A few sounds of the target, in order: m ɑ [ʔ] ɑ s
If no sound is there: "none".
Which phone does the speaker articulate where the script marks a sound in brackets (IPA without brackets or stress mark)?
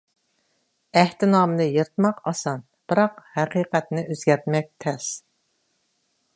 q